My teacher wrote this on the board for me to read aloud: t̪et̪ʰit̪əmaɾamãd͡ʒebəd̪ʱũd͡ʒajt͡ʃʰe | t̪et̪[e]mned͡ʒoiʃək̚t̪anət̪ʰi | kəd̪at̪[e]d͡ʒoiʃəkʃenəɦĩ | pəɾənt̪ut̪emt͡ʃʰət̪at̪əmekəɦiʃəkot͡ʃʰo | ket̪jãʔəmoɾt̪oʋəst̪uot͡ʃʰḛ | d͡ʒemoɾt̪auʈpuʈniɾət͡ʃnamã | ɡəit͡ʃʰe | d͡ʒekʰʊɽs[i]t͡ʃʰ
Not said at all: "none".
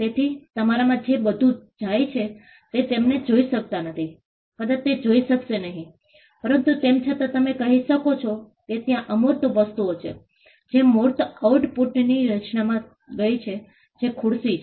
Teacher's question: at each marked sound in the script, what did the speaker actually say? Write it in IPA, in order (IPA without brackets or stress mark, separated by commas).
e, e, i